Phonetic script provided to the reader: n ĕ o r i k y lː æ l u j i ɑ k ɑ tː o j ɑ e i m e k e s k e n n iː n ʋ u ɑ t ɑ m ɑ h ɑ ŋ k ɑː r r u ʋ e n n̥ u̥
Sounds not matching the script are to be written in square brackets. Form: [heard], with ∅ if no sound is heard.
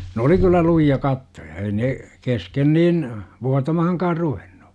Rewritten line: n ĕ o [l] i k y lː æ l u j i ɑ k ɑ tː o j ɑ e i [n] e k e s k e n n iː n ʋ u ɑ t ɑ m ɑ h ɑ ŋ k ɑː r r u ʋ e n n̥ u̥